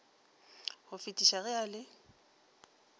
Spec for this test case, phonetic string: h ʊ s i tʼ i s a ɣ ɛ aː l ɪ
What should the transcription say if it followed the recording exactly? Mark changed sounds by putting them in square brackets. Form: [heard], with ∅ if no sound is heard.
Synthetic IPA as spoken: h ʊ [f] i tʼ i [ʃ] a ɣ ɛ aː l ɪ